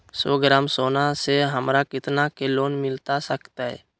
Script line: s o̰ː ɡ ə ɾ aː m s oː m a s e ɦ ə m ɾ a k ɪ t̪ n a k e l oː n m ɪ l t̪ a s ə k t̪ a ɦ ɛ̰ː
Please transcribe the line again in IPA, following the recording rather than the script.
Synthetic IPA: s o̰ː ɡ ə ɾ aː m s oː n a s e ɦ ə m ɾ a k ɪ t̪ n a k e l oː n m ɪ l t̪ a s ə k t̪ a ɦ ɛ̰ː